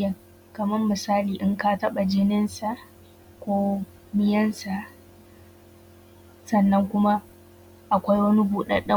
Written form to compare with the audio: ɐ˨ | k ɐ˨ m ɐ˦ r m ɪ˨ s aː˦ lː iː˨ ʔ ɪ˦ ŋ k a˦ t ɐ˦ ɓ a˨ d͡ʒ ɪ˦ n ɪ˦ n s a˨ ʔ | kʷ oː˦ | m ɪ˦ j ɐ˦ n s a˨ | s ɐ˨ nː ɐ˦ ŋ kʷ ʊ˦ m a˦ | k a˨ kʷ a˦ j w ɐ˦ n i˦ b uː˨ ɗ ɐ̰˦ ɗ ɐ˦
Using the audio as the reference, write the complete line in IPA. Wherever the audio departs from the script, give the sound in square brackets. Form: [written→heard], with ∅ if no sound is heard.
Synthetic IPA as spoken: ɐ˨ | k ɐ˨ m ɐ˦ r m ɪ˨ s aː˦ [lː→l] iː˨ ʔ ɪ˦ ŋ k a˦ t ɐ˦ ɓ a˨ d͡ʒ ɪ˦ n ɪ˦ n s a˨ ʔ | kʷ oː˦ | m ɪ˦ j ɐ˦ n s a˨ | s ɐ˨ nː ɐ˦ ŋ kʷ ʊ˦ m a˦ | [k→ʔ] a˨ kʷ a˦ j w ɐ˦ n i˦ b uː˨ ɗ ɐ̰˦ ɗ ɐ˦